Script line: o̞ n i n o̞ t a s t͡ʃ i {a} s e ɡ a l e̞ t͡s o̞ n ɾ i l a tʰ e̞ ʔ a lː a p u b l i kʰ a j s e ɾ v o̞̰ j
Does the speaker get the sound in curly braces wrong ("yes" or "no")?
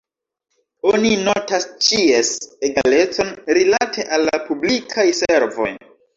yes